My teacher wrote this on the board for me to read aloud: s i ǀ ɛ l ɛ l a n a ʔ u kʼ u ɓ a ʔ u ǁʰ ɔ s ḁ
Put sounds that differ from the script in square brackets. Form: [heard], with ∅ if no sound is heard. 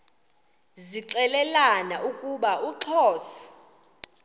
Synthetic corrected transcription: [z] i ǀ ɛ l ɛ l a n a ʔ u kʼ u ɓ a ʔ u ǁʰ [ɔː] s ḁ

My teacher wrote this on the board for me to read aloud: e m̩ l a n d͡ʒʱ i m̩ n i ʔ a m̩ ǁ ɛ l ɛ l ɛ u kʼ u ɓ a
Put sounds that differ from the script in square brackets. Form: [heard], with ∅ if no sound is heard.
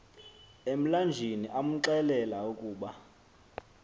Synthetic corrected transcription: e m̩ l a n d͡ʒʱ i [∅] n i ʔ a m̩ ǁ ɛ l ɛ l [a] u kʼ [uː] ɓ a

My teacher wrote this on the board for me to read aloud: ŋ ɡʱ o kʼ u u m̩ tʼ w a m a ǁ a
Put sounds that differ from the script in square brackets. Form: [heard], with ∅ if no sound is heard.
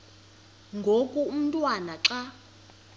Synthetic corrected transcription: ŋ ɡʱ o kʼ u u m̩ tʼ w a [n] a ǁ a

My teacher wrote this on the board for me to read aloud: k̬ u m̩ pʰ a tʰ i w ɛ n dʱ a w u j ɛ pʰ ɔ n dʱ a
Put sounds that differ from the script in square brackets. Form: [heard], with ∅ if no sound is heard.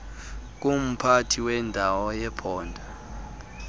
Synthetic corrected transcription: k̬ u m̩ pʰ a tʰ i w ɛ n dʱ a w [ɔ] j ɛ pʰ [ɔː] n dʱ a

